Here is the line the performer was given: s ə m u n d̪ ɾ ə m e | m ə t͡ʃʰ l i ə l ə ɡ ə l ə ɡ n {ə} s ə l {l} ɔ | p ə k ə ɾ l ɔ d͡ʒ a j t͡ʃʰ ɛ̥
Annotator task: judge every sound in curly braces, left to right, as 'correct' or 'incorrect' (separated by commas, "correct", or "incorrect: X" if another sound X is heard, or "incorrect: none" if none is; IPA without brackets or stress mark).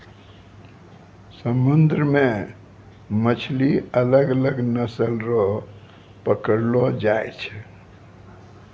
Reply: correct, incorrect: ɾ